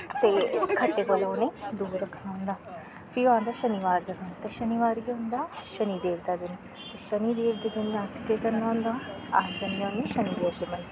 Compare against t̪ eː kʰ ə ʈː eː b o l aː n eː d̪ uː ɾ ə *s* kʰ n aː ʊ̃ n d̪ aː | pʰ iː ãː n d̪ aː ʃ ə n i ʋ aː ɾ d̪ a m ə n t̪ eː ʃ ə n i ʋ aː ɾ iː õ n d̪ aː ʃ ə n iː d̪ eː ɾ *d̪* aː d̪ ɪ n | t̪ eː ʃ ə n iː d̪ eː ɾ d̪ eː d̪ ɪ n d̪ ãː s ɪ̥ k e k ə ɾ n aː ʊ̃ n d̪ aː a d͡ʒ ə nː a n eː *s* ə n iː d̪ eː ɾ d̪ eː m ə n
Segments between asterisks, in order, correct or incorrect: incorrect: none, correct, incorrect: ʃ

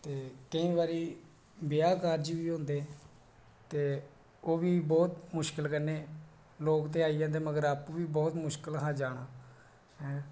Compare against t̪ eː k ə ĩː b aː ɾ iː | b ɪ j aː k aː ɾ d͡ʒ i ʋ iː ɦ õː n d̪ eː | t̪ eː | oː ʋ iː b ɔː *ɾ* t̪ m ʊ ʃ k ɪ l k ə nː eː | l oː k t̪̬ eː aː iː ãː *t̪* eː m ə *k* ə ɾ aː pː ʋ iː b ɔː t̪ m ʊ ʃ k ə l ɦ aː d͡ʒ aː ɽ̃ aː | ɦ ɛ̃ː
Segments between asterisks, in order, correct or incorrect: incorrect: none, incorrect: d̪, incorrect: ɡ

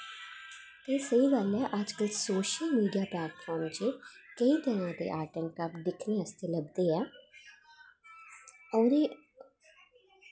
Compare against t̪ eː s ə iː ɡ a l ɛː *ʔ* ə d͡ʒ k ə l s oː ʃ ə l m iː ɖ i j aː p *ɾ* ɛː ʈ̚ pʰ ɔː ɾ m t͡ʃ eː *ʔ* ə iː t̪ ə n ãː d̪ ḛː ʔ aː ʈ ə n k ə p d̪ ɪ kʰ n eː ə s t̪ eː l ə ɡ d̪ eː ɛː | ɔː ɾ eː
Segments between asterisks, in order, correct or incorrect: correct, incorrect: l, incorrect: k

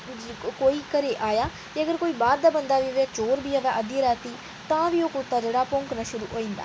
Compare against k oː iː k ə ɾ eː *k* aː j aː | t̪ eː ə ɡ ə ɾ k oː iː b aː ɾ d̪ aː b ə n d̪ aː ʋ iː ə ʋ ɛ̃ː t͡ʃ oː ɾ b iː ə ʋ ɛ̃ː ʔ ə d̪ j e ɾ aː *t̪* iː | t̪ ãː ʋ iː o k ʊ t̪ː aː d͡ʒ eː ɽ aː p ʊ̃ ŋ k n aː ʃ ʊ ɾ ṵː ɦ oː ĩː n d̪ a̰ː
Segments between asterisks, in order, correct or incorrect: incorrect: ʔ, correct

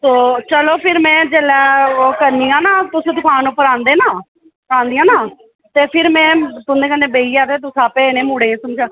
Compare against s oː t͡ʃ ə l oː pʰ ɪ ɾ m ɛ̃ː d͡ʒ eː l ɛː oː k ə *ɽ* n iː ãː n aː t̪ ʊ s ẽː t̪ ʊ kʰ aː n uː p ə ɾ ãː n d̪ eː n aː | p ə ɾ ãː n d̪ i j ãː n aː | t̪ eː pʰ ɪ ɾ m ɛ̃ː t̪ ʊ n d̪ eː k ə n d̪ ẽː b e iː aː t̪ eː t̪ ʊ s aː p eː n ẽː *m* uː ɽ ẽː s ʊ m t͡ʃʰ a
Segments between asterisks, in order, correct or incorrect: incorrect: ɾ, correct

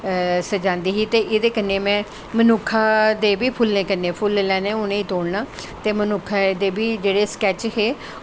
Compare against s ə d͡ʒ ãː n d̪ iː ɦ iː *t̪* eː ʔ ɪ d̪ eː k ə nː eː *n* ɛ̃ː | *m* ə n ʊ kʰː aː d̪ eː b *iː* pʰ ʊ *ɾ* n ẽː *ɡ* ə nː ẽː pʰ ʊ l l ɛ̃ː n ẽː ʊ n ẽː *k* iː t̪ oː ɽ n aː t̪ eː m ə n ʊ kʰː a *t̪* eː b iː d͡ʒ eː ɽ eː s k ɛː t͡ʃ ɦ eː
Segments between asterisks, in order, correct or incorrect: correct, incorrect: m, correct, correct, incorrect: l, incorrect: k, incorrect: none, incorrect: d̪

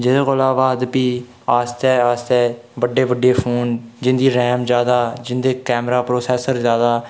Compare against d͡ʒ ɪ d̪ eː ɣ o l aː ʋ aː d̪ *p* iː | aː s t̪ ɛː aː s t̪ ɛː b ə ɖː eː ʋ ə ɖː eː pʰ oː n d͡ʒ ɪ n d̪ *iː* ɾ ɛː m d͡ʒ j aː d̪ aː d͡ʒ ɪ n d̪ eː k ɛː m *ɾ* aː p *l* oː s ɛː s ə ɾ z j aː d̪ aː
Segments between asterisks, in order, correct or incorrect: correct, correct, correct, incorrect: ɾ

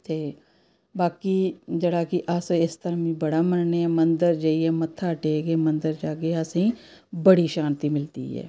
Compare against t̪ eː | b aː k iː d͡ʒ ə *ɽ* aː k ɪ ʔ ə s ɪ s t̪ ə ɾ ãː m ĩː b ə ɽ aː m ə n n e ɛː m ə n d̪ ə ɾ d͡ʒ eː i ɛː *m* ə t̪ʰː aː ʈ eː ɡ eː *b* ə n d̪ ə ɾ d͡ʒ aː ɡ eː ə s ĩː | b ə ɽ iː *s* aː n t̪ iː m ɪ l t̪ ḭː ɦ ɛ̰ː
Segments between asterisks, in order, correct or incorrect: correct, correct, incorrect: m, incorrect: ʃ

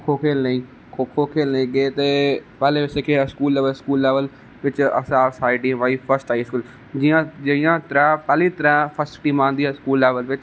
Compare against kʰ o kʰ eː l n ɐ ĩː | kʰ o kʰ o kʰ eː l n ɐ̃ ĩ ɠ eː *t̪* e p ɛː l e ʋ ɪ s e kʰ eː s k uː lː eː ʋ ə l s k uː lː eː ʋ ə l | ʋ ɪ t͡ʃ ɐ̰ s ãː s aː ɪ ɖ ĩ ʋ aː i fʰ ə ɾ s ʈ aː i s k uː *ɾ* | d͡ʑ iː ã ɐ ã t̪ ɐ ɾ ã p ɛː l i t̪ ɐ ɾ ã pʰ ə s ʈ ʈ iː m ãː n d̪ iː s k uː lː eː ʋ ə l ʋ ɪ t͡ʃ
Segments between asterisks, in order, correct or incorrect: correct, incorrect: l

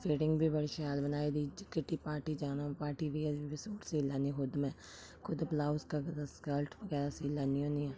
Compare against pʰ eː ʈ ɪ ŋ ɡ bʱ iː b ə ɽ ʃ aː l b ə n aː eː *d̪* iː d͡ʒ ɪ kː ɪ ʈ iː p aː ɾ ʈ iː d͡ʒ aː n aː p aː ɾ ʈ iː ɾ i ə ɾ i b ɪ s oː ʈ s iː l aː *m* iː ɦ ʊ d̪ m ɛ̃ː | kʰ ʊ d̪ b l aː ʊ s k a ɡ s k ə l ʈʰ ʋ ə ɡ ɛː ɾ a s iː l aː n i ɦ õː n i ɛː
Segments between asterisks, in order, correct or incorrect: correct, incorrect: n

